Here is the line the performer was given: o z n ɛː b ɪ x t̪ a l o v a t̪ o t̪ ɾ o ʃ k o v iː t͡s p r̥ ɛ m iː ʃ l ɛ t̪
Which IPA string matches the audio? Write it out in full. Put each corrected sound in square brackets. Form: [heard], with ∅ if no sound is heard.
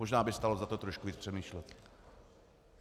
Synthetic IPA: o [ʒ] n [aː] b ɪ [s] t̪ a l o [z] a t̪ o t̪ ɾ o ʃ k [u] v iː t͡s p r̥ ɛ m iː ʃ l ɛ t̪